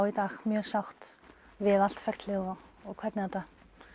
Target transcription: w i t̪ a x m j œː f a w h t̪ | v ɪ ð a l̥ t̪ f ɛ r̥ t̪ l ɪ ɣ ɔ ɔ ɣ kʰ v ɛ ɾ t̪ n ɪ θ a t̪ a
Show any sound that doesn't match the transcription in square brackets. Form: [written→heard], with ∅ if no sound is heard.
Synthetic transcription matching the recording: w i t̪ a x m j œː [f→s] a w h t̪ | v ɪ ð a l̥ t̪ f ɛ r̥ t̪ l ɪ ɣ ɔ ɔ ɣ kʰ v ɛ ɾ t̪ n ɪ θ a t̪ a